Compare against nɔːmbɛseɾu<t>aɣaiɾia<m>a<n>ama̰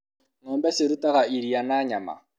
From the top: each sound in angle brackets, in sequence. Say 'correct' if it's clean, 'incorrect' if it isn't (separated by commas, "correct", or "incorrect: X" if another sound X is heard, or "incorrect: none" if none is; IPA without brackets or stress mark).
correct, incorrect: n, incorrect: ɲ